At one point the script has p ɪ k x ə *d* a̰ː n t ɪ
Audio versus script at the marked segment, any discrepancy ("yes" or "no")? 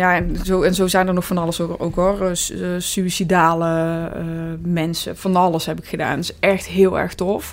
no